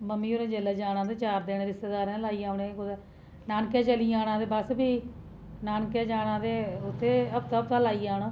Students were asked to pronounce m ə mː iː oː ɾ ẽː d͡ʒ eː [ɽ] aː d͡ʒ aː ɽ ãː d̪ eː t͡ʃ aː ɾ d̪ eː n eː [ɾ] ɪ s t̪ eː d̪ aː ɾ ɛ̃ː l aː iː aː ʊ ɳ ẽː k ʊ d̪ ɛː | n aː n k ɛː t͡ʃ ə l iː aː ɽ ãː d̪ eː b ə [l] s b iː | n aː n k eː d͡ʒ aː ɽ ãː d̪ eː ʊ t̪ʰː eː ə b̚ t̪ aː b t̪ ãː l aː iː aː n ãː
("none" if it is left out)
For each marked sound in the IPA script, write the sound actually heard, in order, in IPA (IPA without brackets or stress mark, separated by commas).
l, ɾ, none